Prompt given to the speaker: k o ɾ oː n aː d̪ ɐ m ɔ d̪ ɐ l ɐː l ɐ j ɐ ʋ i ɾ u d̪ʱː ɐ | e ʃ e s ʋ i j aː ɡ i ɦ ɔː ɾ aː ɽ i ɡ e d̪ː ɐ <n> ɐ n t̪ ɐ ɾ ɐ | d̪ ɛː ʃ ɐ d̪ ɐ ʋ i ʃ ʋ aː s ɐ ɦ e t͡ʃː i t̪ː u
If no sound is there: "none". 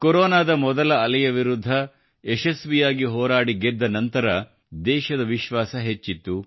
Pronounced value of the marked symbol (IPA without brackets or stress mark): n